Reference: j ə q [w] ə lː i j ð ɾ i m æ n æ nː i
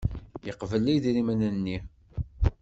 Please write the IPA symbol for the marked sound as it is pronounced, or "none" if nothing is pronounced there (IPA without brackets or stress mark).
v